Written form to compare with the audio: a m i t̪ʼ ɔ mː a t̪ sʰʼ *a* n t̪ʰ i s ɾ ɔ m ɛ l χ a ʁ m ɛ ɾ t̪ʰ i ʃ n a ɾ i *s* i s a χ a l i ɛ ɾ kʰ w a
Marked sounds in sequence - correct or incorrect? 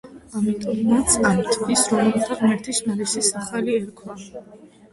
correct, correct

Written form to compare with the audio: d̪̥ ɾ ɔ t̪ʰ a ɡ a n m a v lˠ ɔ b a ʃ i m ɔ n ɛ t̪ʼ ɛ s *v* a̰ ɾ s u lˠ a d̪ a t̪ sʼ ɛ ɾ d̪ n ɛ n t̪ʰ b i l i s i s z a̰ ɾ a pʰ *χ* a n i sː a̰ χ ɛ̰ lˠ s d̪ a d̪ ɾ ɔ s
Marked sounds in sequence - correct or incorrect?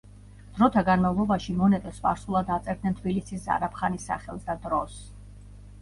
correct, correct

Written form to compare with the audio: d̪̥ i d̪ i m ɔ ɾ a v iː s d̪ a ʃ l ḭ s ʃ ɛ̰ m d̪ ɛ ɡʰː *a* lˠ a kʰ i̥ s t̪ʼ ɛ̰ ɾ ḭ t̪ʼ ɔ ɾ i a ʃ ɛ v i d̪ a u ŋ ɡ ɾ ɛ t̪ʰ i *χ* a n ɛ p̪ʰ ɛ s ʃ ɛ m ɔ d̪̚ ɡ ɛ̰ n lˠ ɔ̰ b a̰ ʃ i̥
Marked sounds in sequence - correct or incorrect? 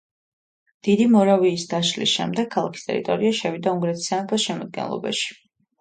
correct, incorrect: s

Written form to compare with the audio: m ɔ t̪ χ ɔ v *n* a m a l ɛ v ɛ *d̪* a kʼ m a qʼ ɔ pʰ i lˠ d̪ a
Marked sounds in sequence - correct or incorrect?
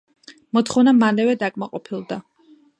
correct, correct

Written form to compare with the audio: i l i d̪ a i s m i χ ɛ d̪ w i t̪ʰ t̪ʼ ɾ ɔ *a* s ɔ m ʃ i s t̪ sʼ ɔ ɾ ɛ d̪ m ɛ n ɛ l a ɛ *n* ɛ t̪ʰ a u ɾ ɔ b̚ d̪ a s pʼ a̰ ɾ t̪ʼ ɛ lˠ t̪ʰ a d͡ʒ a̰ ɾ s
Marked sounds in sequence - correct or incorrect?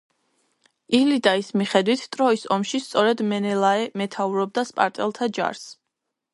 incorrect: i, incorrect: m

